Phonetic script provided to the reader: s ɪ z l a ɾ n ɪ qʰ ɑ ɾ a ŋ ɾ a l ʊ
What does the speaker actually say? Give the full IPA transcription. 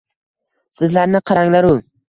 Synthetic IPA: s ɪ z l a ɾ n ɪ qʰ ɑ ɾ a ŋ l a ɾ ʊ